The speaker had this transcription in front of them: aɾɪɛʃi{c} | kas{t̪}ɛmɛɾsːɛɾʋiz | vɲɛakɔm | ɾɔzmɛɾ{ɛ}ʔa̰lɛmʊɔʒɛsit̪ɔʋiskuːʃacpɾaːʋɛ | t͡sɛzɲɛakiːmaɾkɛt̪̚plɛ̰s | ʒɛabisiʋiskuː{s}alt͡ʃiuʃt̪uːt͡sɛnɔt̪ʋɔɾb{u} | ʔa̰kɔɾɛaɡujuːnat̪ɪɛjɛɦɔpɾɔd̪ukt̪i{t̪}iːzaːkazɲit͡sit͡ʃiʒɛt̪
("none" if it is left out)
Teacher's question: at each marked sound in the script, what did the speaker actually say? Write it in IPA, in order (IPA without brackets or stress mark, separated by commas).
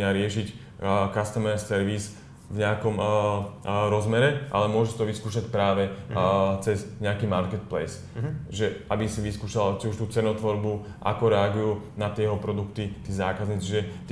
c, t̪, ɛ, ʃ, u, t̪